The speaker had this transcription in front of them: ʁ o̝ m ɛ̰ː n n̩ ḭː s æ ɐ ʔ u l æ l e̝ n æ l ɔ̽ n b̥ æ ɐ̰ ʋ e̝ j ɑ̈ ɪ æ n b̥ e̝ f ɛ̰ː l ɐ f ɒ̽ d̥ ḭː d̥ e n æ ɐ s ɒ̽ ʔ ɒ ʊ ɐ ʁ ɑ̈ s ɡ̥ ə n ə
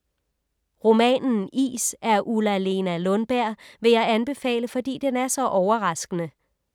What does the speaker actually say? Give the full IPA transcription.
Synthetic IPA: ʁ o̝ m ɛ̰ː n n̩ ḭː s æ ɐ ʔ u l æ l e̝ n æ l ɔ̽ n b̥ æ ɐ̰ ʋ e̝ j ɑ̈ ɪ æ n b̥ e̝ f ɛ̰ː l ə f ɒ̽ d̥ ḭː d̥ e n æ ɐ s ɒ̽ ʔ ɒ ʊ ɐ ʁ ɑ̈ s ɡ̥ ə n ə